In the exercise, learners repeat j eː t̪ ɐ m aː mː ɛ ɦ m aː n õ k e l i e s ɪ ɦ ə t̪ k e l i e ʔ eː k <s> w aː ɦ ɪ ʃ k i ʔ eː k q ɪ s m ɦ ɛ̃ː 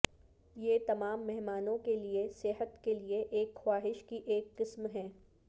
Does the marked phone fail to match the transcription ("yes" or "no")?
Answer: yes